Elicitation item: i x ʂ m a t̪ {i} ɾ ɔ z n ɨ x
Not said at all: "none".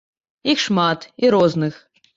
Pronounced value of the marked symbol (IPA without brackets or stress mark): i